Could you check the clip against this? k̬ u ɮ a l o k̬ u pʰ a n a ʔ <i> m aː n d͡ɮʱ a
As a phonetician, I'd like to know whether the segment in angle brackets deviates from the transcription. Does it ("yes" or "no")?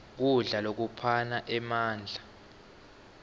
yes